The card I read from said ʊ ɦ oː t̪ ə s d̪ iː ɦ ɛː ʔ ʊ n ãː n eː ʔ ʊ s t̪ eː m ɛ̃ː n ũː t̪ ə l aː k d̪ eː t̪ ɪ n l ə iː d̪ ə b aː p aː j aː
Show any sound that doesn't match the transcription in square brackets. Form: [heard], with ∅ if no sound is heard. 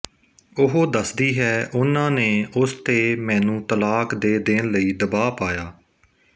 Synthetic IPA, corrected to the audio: ʊ ɦ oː [d̪] ə s d̪ iː ɦ ɛː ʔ ʊ n ãː n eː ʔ ʊ s t̪ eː m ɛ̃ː n ũː t̪ ə l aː k d̪ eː [d̪] ɪ n l ə iː d̪ ə b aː p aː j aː